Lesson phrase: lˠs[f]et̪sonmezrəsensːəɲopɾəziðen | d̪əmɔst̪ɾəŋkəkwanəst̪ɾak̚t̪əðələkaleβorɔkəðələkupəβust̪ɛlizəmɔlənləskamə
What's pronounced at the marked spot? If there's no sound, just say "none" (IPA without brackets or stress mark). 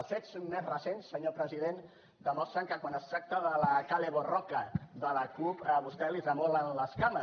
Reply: f